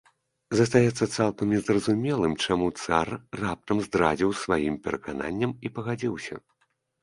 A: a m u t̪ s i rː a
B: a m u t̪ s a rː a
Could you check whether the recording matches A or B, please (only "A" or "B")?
B